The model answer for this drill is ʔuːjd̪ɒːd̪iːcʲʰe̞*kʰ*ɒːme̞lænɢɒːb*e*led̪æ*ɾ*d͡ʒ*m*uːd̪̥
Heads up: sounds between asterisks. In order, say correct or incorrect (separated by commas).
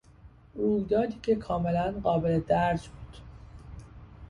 correct, correct, correct, incorrect